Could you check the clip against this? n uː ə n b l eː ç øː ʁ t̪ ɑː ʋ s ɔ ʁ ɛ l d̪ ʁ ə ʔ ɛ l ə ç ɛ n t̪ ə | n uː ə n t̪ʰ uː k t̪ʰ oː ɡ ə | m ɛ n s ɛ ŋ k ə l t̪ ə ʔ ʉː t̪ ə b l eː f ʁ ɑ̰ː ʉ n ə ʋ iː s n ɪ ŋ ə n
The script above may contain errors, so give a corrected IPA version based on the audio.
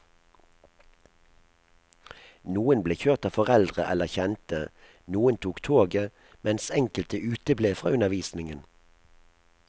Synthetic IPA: n uː ə n b l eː ç øː ʁ t̪ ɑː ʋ f ɔ ʁ ɛ l d̪ ʁ ə ʔ ɛ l ə ç ɛ n t̪ ə | n uː ə n t̪ʰ uː k t̪ʰ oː ɡ ə | m ɛ n s ɛ ŋ k ə l t̪ ə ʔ ʉː t̪ ə b l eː f ʁ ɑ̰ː ʉ n ə ʋ iː s n ɪ ŋ ə n